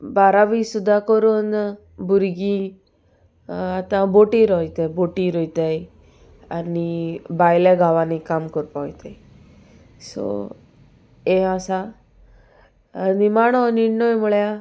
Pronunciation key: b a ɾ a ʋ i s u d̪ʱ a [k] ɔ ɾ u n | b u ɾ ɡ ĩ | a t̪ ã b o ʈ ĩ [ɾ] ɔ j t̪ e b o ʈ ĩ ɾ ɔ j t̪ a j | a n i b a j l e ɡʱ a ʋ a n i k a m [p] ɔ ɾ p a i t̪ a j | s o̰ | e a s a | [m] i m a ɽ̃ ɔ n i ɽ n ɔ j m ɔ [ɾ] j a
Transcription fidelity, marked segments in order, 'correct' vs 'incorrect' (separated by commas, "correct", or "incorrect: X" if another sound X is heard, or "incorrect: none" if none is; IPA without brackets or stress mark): correct, correct, incorrect: k, incorrect: n, incorrect: ɭ